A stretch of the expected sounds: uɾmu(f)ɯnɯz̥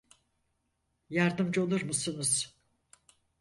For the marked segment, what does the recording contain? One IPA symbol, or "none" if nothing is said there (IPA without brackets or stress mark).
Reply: s